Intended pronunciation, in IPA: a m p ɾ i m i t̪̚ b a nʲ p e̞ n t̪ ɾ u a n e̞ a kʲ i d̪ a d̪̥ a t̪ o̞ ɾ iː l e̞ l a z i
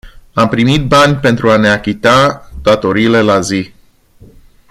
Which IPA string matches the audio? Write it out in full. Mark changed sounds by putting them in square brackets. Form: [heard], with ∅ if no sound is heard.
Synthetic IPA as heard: a m p ɾ i m i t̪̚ b a nʲ p e̞ n t̪ ɾ u a n e̞ a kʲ i [t̪] a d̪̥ a t̪ o̞ ɾ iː l e̞ l a z i